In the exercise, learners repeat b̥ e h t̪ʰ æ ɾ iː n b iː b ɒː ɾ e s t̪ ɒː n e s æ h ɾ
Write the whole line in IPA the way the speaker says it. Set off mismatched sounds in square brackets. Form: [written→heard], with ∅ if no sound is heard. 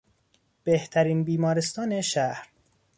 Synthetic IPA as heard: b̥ e h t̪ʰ æ ɾ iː n b iː [b→m] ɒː ɾ e s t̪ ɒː n e [s→ʃ] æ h ɾ